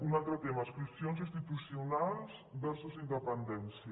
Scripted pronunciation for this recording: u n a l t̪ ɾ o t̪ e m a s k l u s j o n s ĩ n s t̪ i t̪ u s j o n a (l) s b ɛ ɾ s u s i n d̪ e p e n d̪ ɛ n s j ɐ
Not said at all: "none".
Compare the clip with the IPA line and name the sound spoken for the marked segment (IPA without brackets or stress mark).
l